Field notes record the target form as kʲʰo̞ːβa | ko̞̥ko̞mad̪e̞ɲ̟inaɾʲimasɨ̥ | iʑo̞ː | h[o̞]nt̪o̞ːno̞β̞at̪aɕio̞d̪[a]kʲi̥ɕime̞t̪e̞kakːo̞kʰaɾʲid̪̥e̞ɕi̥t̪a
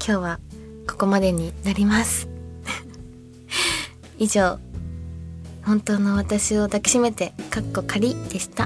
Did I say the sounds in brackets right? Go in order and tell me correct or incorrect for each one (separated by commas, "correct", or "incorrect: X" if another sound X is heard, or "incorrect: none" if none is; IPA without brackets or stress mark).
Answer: incorrect: õ̞, correct